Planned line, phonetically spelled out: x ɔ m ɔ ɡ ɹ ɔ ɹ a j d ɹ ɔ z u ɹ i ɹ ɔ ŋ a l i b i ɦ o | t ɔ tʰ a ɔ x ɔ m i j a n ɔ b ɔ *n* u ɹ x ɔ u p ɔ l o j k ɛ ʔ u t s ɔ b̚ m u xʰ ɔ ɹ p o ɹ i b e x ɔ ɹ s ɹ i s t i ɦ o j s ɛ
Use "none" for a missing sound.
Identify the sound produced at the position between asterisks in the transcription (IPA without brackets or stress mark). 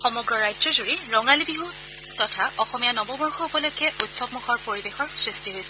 m